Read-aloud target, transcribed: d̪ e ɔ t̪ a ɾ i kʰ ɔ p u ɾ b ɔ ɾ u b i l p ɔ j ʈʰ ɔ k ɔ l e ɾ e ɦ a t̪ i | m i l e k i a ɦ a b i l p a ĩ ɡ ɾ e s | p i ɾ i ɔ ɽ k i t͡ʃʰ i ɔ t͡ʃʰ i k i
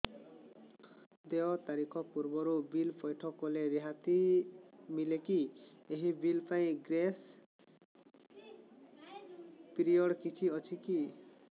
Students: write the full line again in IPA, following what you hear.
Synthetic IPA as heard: d̪ e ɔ t̪ a ɾ i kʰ ɔ p u ɾ b ɔ ɾ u b i l p ɔ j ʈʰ ɔ k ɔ l e ɾ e ɦ a t̪ i | m i l e k i e ɦ i b i l p a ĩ ɡ ɾ e s | p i ɾ i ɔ ɽ k i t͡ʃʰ i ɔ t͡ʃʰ i k i